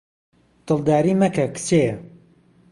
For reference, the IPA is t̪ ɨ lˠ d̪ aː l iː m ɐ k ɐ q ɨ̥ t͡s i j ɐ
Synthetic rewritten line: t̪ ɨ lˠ d̪ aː ɾ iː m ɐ k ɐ k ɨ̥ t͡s e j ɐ